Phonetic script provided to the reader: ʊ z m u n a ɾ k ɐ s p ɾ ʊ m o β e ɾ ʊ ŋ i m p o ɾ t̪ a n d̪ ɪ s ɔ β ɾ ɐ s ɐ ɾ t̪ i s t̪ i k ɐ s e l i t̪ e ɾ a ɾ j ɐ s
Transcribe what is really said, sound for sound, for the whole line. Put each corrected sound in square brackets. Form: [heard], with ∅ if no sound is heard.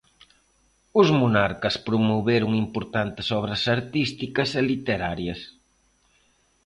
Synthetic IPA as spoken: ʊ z m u n a ɾ k ɐ s p ɾ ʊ m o β e ɾ ʊ ŋ i m p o ɾ t̪ a n [t̪] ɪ s ɔ β ɾ ɐ s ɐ ɾ t̪ i s t̪ i k ɐ s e l i t̪ e ɾ a ɾ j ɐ s